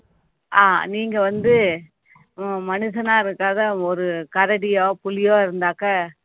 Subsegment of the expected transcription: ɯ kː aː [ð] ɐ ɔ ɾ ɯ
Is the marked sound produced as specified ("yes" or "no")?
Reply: yes